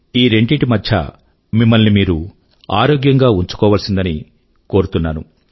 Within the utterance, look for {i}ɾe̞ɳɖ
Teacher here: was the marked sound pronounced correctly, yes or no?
no